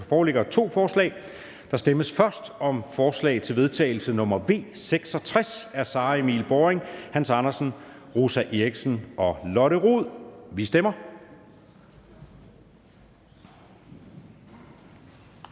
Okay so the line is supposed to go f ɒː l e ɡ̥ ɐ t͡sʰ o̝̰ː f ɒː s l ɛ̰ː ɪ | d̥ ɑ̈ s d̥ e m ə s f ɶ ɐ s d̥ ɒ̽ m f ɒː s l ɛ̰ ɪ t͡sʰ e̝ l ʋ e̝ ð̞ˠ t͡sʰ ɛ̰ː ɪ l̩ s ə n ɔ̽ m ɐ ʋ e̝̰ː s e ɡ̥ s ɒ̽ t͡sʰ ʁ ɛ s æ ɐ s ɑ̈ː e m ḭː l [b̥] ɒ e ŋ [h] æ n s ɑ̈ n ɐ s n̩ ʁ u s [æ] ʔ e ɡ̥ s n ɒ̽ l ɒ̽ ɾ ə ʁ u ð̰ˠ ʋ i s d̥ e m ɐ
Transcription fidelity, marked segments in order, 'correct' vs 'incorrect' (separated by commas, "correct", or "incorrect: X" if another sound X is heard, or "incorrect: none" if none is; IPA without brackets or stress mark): correct, correct, correct